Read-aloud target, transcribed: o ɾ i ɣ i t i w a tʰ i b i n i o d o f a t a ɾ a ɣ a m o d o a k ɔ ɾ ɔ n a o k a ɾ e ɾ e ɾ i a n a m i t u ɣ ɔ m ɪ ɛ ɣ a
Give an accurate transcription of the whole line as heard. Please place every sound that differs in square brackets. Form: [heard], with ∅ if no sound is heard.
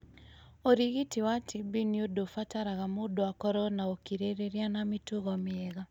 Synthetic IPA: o ɾ i ɣ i t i w a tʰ i b i n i o d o f a t a ɾ a ɣ a m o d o a k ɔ ɾ ɔ n a o k [i] ɾ e ɾ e ɾ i a n a m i t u ɣ ɔ m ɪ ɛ ɣ a